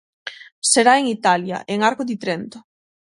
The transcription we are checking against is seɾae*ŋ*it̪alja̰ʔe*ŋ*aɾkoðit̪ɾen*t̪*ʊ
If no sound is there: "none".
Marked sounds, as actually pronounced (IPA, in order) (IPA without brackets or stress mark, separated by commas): ŋ, ŋ, t̪